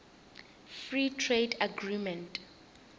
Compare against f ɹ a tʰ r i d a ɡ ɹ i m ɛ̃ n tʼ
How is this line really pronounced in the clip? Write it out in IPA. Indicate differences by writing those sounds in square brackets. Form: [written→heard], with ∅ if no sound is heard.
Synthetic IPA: f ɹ [a→i] tʰ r [i→e] d a ɡ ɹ i m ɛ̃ n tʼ